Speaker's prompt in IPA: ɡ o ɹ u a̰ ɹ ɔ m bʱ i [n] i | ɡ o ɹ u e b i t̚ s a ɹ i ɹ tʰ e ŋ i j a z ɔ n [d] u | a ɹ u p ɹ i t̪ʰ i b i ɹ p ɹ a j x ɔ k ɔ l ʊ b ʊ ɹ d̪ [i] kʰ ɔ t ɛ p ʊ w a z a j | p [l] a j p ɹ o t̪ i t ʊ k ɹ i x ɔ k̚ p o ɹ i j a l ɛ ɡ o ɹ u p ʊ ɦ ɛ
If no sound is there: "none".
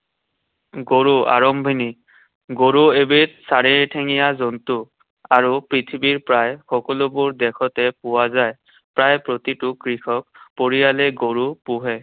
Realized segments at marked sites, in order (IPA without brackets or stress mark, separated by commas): n, t, ɛ, ɹ